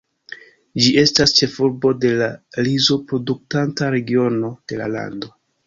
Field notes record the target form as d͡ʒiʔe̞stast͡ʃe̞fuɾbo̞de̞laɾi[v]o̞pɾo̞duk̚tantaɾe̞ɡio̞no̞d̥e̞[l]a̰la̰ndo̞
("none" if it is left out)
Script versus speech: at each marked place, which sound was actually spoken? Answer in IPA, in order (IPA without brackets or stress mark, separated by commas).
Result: z, l